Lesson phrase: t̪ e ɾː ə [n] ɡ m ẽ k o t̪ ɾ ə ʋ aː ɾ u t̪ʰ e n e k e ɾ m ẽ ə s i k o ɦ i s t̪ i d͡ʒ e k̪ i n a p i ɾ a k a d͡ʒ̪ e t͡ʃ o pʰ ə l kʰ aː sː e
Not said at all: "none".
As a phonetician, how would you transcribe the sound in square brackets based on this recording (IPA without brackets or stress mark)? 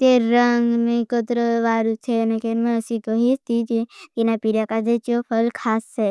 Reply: ŋ